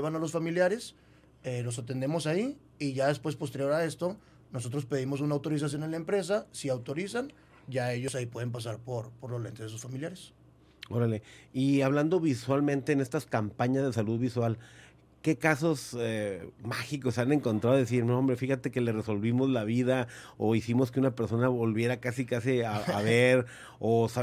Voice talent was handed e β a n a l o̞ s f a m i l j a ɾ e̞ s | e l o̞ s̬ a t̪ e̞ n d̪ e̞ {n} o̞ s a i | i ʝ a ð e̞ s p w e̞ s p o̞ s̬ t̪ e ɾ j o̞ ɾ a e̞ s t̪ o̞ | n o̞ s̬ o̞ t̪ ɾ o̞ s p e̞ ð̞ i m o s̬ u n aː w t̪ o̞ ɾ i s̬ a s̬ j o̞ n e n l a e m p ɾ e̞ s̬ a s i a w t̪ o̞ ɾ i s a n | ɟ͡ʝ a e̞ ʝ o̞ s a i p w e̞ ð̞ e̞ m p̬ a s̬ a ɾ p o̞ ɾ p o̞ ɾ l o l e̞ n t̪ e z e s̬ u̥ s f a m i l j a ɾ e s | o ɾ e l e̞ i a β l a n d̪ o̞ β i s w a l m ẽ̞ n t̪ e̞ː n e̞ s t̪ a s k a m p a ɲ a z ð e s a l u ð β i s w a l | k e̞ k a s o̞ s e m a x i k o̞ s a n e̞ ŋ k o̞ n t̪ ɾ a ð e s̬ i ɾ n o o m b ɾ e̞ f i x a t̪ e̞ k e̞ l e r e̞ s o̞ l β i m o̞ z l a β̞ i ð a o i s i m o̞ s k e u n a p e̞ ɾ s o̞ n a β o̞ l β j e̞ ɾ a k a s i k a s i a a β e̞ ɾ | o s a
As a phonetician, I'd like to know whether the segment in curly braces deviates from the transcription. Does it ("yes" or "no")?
yes